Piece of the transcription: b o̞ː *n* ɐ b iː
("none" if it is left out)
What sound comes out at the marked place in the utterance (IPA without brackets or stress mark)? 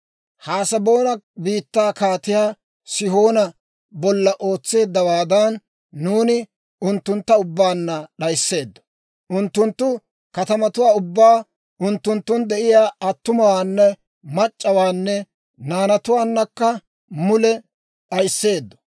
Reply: n